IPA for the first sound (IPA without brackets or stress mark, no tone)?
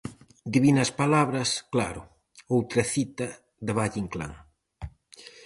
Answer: d̪